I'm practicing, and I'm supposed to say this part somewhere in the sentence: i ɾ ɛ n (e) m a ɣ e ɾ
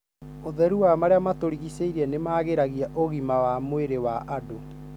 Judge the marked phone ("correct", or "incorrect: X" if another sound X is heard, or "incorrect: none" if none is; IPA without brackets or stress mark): correct